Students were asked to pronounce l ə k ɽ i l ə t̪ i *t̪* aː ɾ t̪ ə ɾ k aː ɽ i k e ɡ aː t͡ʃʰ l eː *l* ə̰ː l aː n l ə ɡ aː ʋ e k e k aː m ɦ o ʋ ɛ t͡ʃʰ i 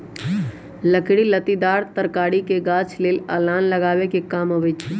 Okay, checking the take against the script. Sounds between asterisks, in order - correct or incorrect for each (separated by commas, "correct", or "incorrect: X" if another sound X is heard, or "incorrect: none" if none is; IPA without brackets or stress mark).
incorrect: d̪, correct